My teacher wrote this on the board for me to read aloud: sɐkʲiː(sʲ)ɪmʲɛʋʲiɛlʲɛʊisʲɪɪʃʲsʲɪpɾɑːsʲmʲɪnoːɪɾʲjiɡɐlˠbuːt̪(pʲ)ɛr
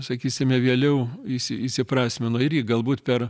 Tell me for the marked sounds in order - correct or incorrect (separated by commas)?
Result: correct, correct